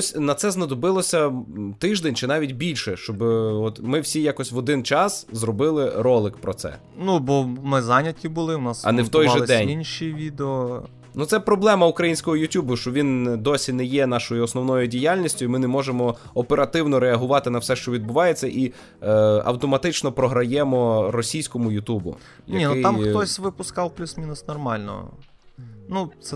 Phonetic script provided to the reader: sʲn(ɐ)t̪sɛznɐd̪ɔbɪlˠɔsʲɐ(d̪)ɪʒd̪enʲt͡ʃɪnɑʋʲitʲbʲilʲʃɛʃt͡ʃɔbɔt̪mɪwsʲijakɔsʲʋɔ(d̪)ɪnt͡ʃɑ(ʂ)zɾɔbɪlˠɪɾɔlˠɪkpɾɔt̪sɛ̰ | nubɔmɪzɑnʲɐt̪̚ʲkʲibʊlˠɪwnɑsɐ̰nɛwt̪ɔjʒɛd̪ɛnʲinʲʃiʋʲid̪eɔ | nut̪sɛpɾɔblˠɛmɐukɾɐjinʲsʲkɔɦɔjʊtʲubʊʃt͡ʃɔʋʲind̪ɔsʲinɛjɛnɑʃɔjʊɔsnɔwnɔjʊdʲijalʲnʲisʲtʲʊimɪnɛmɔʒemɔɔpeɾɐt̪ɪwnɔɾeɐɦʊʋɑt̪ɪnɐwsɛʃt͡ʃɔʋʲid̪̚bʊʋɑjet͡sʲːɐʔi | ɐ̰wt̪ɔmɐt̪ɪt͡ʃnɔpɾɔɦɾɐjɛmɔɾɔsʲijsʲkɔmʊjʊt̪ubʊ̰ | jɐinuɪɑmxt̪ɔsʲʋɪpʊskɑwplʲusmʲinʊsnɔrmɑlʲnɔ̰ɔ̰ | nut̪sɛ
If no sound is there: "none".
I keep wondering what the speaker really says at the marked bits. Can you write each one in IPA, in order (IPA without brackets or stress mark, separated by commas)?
ɐ, t̪, d̪, s